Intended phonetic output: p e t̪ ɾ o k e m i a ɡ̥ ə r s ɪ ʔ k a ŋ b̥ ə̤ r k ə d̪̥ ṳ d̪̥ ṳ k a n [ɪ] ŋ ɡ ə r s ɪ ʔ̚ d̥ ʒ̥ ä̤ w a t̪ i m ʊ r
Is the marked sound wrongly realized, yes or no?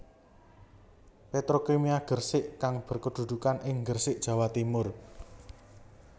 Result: no